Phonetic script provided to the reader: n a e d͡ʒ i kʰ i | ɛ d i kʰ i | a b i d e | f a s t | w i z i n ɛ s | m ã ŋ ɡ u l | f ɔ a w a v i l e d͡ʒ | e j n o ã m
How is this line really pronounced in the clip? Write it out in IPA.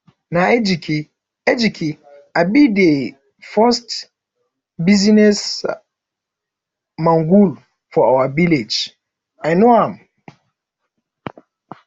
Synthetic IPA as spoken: n a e d͡ʒ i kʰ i | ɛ d͡ʒ i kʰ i | a b i d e | f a s t | b i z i n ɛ s | m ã ŋ ɡ u l | f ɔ a w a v i l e d͡ʒ | a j n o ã m